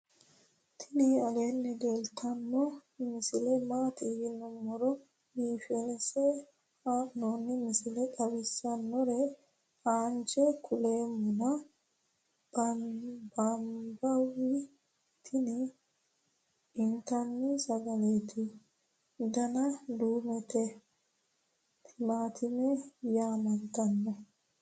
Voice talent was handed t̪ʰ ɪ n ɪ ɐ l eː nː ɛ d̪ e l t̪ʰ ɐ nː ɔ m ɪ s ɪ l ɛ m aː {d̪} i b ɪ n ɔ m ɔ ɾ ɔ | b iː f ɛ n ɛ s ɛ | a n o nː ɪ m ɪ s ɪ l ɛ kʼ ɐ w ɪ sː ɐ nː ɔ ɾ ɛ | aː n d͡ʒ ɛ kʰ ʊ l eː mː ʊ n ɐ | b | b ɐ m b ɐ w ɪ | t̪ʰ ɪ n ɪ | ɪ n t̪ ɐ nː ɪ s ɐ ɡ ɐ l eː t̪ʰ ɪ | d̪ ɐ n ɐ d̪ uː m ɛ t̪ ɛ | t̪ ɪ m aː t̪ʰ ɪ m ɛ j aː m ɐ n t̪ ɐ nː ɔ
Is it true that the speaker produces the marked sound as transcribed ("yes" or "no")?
no